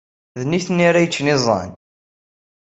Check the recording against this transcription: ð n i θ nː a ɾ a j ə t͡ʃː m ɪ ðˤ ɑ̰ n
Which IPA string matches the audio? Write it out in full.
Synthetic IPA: ð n i θ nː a ɾ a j ə t͡ʃː n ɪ zˤ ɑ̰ n